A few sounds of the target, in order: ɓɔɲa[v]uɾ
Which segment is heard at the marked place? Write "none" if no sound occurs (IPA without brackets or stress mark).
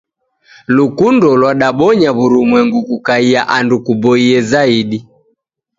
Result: β